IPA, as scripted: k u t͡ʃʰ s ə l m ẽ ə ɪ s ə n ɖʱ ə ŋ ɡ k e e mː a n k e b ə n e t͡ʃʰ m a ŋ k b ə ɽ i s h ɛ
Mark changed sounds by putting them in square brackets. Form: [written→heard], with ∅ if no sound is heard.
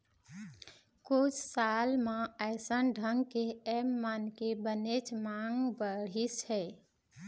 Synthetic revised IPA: k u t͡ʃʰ s [ə→a] l m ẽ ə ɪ s ə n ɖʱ ə ŋ ɡ k e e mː a n k e b ə n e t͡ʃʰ m a ŋ [k→ɡ] b ə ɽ i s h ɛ